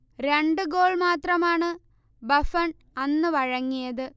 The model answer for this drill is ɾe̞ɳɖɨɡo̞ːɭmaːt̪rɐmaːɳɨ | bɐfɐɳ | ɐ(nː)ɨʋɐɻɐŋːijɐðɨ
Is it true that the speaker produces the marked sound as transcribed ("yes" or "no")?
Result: yes